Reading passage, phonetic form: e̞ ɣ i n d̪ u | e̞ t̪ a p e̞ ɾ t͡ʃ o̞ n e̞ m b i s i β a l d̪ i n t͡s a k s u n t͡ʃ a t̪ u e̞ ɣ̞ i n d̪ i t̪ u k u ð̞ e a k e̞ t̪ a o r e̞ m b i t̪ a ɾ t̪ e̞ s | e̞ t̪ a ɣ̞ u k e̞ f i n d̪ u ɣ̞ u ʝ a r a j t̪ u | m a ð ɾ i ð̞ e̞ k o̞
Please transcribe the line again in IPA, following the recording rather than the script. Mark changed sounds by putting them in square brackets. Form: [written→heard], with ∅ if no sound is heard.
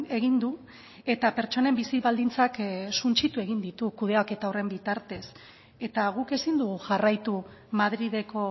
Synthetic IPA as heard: e̞ ɣ i n d̪ u | e̞ t̪ a p e̞ ɾ t͡ʃ o̞ n e̞ m b i s i β a l d̪ i n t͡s a k s u n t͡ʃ [a→i] t̪ u e̞ ɣ̞ i n d̪ i t̪ u k u ð̞ e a k e̞ t̪ a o r e̞ m b i t̪ a ɾ t̪ e̞ s | e̞ t̪ a ɣ̞ u k e̞ [f→s] i n d̪ u ɣ̞ u ʝ a r a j t̪ u | m a ð ɾ i ð̞ e̞ k o̞